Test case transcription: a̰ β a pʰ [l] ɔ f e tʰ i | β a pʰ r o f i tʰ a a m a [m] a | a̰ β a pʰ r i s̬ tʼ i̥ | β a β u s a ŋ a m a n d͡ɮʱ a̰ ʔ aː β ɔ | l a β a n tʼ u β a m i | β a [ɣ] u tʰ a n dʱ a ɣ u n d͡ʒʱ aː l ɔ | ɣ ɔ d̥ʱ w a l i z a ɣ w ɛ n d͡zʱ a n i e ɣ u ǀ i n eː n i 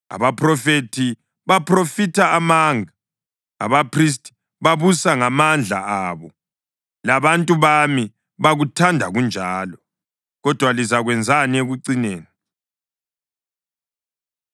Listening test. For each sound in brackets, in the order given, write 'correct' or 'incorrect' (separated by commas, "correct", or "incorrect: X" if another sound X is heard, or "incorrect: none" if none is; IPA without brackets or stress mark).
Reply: incorrect: r, incorrect: ŋ, correct